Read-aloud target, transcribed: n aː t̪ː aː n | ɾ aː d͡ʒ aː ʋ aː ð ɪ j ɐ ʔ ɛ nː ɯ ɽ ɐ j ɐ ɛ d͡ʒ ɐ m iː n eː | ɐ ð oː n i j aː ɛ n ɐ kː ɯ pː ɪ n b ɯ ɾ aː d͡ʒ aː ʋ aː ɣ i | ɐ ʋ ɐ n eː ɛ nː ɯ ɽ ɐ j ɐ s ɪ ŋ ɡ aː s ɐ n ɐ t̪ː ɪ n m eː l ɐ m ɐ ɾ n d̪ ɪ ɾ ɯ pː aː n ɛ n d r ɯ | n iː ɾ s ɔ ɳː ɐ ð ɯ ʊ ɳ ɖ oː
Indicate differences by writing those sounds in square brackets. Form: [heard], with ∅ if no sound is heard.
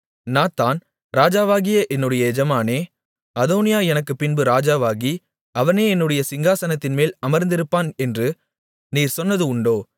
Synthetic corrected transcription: n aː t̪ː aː n | ɾ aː d͡ʒ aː ʋ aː [ɣ] ɪ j ɐ ʔ ɛ nː ɯ ɽ ɐ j ɐ ɛ d͡ʒ ɐ m [aː] n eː | ɐ ð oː n [ɪ] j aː ɛ n ɐ kː ɯ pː ɪ n b ɯ ɾ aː d͡ʒ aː ʋ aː ɣ i | ɐ ʋ ɐ n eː ɛ nː ɯ ɽ ɐ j ɐ s ɪ ŋ ɡ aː s ɐ n ɐ t̪ː ɪ n m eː l ɐ m ɐ ɾ n d̪ ɪ ɾ ɯ pː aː n ɛ n d r ɯ | n iː ɾ s ɔ [nː] ɐ ð ɯ ʊ ɳ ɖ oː

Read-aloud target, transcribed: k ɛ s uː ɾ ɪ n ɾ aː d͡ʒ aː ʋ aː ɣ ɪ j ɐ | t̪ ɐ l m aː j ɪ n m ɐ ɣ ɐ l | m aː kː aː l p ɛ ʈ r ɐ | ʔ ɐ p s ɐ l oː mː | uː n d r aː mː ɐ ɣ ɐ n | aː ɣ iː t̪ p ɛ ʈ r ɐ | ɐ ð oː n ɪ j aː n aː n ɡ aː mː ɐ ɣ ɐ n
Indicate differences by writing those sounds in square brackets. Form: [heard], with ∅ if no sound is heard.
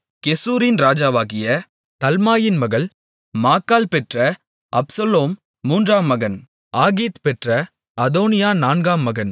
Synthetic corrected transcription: k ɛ s uː ɾ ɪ n ɾ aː d͡ʒ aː ʋ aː ɣ ɪ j ɐ | t̪ ɐ l m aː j ɪ n m ɐ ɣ ɐ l | m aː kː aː l p ɛ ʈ r ɐ | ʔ ɐ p s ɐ l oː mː | uː n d r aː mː ɐ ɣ ɐ n | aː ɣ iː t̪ p ɛ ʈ r ɐ | ɐ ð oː n ɪ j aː n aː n ɡ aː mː ɐ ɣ ɐ n

